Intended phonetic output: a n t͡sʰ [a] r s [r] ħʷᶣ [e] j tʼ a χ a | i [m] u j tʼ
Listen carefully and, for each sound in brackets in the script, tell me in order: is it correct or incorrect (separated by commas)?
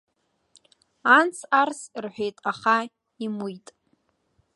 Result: correct, correct, correct, correct